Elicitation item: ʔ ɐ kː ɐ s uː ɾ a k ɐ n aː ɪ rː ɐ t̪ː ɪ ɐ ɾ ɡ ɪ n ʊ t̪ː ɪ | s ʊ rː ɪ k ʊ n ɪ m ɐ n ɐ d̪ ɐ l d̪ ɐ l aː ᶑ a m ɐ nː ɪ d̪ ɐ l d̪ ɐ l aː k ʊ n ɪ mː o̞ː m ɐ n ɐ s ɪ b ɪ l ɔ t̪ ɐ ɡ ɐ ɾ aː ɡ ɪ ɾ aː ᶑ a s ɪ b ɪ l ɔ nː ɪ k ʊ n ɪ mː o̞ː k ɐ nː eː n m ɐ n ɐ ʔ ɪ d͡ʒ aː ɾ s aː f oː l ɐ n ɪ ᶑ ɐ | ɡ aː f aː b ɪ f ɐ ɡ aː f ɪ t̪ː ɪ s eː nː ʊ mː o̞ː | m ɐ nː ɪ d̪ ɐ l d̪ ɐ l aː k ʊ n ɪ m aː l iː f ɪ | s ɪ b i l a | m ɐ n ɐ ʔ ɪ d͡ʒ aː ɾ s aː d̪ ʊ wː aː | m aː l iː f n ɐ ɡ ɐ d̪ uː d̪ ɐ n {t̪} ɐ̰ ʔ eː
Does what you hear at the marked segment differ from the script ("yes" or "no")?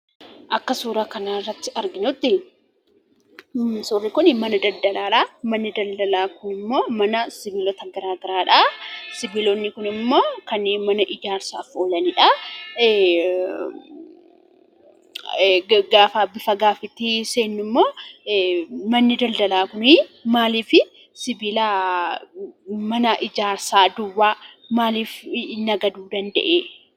yes